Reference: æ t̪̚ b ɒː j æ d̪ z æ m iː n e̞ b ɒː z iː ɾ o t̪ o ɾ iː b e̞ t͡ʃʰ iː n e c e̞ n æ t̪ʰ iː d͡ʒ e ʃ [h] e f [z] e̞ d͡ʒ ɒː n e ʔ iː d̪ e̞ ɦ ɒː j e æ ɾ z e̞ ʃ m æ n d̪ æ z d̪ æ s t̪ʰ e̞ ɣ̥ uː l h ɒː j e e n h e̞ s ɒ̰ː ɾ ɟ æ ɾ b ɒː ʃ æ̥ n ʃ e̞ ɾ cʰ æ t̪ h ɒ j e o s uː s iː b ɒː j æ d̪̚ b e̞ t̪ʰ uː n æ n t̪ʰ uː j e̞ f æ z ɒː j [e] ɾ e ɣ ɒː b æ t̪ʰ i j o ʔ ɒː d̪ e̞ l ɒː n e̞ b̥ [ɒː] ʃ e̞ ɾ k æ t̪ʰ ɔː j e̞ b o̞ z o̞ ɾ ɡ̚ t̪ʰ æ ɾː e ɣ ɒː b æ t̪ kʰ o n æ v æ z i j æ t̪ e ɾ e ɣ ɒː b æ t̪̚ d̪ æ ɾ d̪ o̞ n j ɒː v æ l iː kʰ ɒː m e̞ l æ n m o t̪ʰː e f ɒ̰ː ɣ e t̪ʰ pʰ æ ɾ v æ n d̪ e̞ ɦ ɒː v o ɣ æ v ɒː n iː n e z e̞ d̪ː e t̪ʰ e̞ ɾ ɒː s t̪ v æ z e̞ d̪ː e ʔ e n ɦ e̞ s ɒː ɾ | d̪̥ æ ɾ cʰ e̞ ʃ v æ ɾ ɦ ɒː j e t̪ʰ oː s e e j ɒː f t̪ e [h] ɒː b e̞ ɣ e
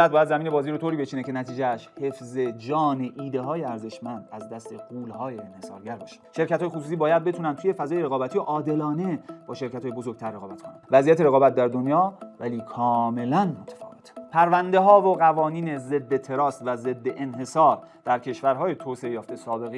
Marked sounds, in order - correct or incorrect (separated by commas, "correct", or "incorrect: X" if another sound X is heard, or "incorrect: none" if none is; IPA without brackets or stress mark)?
correct, correct, correct, correct, incorrect: s